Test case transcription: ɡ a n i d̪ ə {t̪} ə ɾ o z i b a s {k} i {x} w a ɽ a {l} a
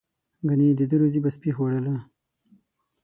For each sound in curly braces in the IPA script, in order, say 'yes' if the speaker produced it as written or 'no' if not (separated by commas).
no, no, yes, yes